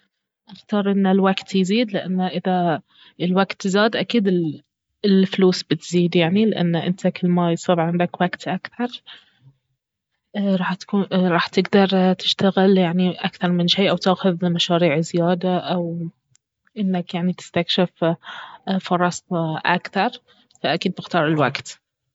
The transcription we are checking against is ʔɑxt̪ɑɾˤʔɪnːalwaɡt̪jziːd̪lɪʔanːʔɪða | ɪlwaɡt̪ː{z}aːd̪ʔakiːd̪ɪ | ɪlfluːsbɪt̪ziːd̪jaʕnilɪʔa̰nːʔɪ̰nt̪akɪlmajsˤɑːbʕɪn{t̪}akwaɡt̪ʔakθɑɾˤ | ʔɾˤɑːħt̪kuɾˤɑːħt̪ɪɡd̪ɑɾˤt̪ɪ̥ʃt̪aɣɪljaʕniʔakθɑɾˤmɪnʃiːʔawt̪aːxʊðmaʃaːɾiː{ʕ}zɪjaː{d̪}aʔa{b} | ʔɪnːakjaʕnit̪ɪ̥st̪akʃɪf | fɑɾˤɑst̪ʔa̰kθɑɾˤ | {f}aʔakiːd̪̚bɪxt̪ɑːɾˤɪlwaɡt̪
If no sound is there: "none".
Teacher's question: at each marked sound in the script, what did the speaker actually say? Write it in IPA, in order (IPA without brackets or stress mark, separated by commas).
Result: z, d̪, ʕ, d̪, w, f